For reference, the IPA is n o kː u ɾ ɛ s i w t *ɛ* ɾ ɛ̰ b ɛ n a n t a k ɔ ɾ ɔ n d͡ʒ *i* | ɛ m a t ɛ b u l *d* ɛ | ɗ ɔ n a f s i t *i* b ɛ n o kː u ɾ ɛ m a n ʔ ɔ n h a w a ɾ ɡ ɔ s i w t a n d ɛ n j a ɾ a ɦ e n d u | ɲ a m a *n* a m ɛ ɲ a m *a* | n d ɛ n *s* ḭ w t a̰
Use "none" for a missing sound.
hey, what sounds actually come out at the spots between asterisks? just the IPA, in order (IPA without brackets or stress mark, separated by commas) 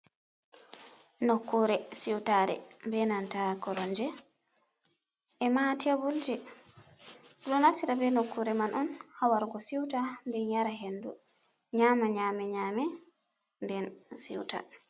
a, ɛ, d͡ʒ, a, ɲ, ɛ, s